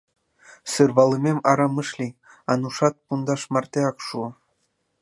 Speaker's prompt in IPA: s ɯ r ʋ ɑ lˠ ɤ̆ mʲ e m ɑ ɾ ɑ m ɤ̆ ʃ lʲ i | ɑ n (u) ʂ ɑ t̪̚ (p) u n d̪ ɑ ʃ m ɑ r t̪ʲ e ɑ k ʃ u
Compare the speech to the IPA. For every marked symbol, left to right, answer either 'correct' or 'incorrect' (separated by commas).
correct, correct